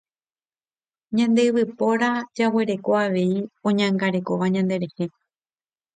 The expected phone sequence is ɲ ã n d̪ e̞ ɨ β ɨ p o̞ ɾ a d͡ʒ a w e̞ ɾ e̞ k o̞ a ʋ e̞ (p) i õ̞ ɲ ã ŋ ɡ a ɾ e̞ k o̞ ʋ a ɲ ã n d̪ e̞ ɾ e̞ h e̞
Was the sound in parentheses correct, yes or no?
no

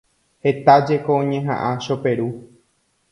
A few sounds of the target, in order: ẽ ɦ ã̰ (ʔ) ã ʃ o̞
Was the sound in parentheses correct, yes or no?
yes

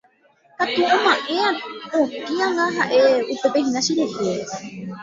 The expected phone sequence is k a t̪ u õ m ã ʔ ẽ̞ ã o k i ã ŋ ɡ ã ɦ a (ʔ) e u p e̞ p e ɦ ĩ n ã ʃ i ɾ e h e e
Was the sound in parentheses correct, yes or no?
yes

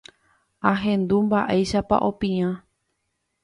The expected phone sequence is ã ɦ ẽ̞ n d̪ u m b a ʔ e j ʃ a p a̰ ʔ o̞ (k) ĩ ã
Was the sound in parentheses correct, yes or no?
no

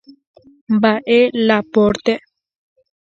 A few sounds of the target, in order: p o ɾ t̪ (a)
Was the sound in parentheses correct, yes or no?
no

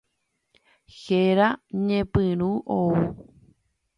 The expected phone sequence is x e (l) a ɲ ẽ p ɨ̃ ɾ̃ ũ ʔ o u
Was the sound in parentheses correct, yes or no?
no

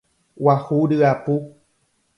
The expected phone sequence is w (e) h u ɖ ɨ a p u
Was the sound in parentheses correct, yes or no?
no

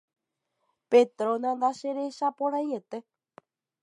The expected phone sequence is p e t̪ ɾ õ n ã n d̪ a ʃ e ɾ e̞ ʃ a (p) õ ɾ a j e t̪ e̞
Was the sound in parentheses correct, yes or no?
yes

